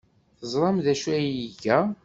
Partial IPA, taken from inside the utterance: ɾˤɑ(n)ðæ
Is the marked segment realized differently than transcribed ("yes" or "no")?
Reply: yes